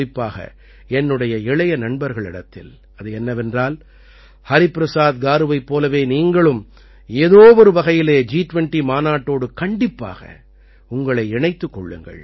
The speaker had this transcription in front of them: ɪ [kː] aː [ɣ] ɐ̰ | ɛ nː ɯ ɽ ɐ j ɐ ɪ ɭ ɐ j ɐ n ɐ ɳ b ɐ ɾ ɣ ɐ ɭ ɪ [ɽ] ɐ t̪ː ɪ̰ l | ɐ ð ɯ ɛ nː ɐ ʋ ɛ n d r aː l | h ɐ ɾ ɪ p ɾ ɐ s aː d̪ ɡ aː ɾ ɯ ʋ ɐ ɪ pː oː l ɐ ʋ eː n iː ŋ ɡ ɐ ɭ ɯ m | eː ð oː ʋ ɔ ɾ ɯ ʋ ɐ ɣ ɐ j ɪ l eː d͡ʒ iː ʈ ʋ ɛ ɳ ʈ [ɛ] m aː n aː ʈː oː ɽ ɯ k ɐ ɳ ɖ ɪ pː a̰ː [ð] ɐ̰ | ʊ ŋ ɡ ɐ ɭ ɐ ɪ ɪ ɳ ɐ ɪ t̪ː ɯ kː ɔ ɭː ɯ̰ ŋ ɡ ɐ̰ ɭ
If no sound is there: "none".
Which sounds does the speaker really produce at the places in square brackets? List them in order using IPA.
pː, ɣ, ɽ, i, ɣ

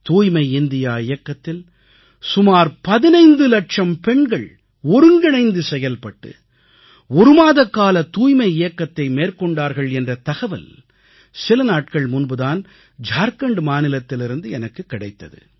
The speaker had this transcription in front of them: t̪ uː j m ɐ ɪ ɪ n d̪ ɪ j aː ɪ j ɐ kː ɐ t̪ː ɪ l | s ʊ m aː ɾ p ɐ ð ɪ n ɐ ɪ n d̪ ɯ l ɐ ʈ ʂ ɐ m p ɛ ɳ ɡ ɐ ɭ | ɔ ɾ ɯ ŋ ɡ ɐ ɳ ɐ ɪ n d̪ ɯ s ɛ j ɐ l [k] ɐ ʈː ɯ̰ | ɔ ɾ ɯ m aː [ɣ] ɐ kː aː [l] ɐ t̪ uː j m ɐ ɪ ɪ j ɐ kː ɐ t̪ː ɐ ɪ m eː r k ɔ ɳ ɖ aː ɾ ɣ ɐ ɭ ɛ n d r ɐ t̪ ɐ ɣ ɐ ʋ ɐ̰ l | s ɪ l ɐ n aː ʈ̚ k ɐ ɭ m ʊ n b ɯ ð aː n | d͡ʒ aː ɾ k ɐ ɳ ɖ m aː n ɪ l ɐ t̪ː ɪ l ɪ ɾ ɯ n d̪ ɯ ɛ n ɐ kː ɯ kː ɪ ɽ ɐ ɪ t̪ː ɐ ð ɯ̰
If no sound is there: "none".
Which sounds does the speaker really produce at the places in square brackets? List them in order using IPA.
p, ð, l

